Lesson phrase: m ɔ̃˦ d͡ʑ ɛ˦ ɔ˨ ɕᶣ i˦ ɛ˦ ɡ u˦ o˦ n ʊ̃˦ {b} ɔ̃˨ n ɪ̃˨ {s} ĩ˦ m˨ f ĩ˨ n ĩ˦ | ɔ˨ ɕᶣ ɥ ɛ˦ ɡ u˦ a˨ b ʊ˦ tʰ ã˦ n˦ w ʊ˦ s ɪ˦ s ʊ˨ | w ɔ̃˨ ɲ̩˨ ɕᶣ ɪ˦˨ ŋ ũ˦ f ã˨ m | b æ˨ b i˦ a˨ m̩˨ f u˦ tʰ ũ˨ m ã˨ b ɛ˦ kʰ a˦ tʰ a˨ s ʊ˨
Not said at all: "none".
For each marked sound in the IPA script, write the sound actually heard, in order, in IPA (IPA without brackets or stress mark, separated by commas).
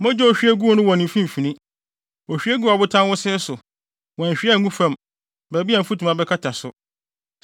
w, f